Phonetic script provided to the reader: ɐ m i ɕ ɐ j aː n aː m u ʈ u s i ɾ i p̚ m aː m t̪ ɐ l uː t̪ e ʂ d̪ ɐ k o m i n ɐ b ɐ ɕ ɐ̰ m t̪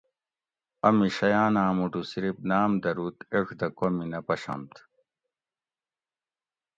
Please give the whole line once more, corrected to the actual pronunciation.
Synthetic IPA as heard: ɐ m i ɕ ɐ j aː n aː m u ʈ u s i ɾ i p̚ n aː m d̪ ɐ ɾ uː t̪ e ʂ d̪ ɐ k o m i n ɐ p ɐ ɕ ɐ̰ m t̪